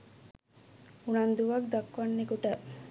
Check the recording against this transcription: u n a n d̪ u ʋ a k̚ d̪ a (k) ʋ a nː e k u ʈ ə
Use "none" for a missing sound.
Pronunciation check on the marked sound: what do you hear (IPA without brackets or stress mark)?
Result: k